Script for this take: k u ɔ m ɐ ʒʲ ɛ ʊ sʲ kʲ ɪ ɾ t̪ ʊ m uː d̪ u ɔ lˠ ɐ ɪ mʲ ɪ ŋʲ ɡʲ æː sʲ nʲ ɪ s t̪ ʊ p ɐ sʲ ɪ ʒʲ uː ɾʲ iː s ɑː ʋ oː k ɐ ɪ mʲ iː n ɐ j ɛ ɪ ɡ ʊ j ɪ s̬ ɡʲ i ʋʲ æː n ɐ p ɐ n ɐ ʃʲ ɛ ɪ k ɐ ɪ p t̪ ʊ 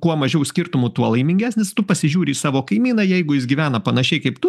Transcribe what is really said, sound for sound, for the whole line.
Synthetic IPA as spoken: k u ɔ m ɐ ʒʲ ɛ ʊ sʲ kʲ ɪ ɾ t̪ ʊ m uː t̪ u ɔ lˠ ɐ ɪ mʲ ɪ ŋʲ ɡʲ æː sʲ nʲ ɪ s t̪ ʊ p ɐ sʲ ɪ ʒʲ uː ɾʲ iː s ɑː ʋ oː k ɐ ɪ mʲ iː n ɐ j ɛ ɪ ɡ ʊ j ɪ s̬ ɡʲ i ʋʲ æː n ɐ p ɐ n ɐ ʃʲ ɛ ɪ k ɐ ɪ p t̪ ʊ